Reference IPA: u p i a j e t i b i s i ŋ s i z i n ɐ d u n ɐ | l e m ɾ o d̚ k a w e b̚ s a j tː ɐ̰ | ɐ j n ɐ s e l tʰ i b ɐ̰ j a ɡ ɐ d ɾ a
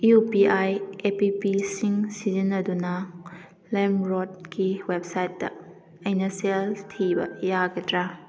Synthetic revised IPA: u p i a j e p i p i s i ŋ s i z i n ɐ d u n ɐ | l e m ɾ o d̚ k i w e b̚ s a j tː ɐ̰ | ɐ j n ɐ s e l tʰ i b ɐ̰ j a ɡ ɐ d ɾ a